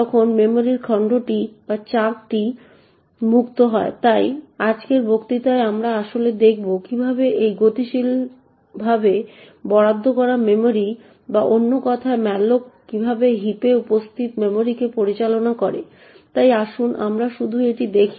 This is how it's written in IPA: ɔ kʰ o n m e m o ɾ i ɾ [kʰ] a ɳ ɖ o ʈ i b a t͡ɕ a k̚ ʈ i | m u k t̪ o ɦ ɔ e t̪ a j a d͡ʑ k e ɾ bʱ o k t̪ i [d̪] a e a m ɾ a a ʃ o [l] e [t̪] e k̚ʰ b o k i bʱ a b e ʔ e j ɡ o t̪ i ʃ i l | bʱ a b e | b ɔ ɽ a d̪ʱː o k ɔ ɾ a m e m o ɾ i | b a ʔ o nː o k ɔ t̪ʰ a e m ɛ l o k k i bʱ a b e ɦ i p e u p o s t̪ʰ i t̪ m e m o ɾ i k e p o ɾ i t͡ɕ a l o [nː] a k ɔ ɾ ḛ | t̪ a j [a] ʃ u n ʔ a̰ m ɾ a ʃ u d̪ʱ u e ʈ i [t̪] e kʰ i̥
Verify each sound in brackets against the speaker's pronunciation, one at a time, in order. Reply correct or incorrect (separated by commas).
correct, incorrect, correct, incorrect, incorrect, correct, incorrect